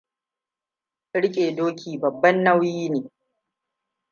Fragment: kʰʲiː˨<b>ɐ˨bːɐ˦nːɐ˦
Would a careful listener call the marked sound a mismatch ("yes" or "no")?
no